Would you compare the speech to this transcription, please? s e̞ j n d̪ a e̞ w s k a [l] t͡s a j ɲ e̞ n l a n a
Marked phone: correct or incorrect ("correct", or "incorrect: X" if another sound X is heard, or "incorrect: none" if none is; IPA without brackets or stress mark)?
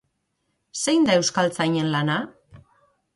correct